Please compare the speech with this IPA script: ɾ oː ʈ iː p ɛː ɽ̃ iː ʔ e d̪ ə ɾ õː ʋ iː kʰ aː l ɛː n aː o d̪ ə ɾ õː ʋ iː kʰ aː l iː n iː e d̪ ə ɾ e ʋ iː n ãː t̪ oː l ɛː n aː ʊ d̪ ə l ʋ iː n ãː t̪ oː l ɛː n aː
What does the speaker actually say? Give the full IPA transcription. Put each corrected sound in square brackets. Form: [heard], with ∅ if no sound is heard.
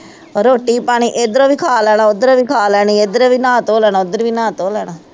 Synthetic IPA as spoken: ɾ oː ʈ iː p [aː] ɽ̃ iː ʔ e d̪ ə ɾ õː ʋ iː kʰ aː l ɛː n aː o d̪ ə ɾ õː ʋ iː kʰ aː l [ɛː] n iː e d̪ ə ɾ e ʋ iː n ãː t̪ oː l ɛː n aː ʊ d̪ ə [ɾ] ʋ iː n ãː t̪ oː l ɛː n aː